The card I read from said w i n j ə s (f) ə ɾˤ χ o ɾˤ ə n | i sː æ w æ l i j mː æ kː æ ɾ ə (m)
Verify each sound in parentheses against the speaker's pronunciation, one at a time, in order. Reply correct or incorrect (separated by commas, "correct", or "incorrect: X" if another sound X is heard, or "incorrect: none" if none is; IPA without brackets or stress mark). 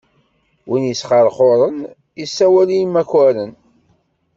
incorrect: χ, incorrect: n